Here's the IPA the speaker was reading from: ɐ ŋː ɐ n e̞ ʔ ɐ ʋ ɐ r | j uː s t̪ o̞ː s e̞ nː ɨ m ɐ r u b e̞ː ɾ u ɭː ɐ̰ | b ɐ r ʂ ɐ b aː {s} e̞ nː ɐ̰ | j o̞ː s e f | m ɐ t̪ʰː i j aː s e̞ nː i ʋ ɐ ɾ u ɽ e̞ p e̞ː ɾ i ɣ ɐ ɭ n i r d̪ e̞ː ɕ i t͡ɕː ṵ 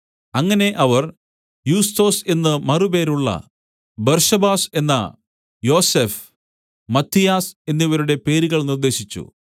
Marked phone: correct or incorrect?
correct